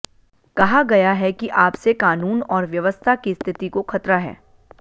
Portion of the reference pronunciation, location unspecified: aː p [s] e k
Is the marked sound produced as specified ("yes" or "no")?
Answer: yes